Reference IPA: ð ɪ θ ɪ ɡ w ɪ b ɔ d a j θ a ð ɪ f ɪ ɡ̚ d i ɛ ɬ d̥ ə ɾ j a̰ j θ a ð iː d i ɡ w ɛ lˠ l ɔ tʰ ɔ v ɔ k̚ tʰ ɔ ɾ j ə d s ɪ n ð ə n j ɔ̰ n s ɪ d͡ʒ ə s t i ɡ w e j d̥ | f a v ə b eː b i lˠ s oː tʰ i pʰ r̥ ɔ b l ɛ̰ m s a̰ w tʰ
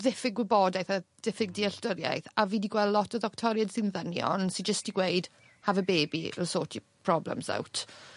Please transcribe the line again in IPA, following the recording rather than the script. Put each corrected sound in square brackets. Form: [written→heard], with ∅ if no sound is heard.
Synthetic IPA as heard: ð ɪ [θ→f] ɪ ɡ w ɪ b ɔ d a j θ a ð ɪ f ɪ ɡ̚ d i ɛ ɬ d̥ ə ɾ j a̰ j θ a [ð→v] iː d i ɡ w ɛ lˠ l ɔ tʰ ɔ [v→ð] ɔ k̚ tʰ ɔ ɾ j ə d s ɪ n ð ə n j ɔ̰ n s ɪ d͡ʒ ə s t i ɡ w e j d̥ | [f→h] a v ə b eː b i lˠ s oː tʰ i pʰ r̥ ɔ b l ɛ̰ m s a̰ w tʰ